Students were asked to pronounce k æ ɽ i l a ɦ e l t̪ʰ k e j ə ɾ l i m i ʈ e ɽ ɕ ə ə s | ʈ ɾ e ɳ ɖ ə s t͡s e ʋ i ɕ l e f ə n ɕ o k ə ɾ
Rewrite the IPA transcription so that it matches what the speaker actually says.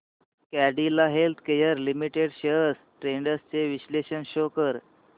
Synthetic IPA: k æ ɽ i l a ɦ e l t̪ʰ k e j ə ɾ l i m i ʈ e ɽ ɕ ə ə s | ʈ ɾ e ɳ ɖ ə s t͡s e ʋ i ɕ l e ɕ ə n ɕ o k ə ɾ